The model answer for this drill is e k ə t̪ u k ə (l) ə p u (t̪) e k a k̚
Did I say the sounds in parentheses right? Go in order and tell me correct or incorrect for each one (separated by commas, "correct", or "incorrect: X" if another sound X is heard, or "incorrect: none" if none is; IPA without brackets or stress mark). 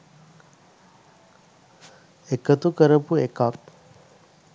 incorrect: ɾ, incorrect: none